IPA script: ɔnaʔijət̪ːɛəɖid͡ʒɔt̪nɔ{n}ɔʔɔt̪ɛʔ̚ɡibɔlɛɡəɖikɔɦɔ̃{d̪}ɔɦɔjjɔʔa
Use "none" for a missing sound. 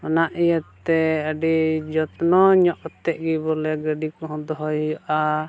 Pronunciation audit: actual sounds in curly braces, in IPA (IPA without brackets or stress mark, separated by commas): ɲ, d̪